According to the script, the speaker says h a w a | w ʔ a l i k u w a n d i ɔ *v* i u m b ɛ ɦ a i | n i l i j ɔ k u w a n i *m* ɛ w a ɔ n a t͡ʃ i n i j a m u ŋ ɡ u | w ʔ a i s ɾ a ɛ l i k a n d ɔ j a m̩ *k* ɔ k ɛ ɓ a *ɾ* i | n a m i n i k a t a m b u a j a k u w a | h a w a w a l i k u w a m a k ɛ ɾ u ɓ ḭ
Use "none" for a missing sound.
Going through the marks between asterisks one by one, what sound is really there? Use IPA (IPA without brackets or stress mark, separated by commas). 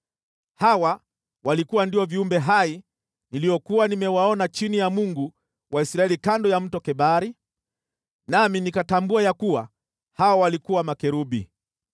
v, m, t, ɾ